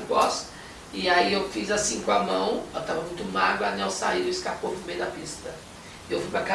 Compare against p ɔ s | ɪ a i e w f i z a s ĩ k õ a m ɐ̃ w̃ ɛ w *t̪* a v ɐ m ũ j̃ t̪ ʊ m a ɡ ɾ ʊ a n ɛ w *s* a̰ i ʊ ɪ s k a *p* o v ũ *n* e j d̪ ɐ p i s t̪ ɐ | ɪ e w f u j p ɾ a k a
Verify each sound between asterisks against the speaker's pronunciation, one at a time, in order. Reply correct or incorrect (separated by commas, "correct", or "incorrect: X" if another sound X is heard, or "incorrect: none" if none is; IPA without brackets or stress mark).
correct, correct, correct, incorrect: m